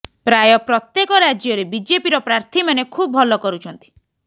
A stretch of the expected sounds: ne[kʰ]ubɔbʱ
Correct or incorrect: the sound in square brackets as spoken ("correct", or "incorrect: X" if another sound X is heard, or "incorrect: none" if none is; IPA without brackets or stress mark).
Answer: correct